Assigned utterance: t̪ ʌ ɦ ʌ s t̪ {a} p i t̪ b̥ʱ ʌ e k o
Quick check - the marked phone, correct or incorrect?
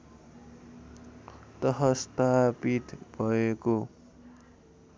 correct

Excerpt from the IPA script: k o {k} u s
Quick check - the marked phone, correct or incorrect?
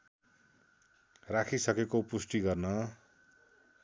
incorrect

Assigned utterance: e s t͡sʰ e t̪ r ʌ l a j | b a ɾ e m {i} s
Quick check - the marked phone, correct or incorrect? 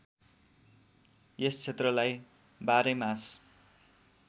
incorrect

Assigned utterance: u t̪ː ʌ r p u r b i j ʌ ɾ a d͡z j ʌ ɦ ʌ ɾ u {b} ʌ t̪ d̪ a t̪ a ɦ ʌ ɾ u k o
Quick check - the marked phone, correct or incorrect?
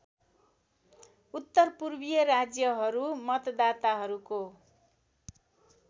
incorrect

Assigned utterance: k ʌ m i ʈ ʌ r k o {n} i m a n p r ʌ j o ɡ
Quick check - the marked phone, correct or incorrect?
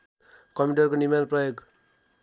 correct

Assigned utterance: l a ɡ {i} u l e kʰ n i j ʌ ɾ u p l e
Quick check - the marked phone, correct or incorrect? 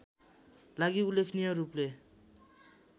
correct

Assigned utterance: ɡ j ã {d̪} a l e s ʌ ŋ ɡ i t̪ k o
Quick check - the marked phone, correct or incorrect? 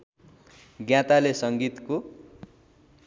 incorrect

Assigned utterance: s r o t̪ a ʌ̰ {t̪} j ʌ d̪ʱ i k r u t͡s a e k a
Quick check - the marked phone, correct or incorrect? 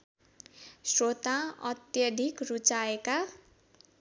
correct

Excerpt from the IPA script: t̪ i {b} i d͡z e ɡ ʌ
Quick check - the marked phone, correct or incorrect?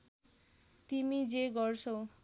incorrect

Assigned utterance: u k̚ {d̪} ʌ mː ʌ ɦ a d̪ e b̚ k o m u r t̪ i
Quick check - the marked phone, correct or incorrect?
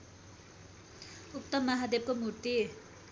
incorrect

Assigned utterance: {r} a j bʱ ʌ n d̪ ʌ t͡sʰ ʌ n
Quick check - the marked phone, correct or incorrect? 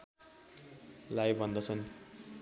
incorrect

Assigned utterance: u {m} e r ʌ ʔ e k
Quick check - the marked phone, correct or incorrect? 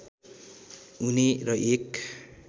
incorrect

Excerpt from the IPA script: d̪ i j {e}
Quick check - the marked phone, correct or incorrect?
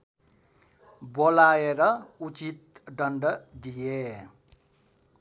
correct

